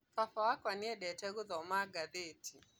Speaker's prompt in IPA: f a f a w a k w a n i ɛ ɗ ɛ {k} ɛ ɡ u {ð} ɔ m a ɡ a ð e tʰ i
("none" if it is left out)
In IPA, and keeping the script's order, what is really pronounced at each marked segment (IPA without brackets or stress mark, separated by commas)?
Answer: t, ð